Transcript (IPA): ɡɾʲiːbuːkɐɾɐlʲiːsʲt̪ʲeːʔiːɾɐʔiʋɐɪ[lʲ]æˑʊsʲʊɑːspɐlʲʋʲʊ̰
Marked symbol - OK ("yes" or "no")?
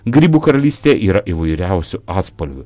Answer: no